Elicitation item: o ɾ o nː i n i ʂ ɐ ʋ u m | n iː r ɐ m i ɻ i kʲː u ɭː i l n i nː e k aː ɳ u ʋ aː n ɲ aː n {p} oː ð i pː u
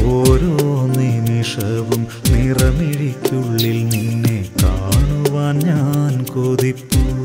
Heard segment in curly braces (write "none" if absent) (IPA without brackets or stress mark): k